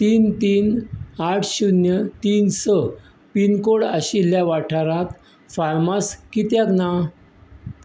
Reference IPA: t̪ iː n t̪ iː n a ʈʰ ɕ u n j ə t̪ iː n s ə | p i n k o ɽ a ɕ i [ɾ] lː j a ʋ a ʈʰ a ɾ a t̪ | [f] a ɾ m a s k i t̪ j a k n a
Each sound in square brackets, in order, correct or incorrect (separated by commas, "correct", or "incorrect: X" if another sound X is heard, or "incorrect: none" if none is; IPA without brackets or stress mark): incorrect: none, correct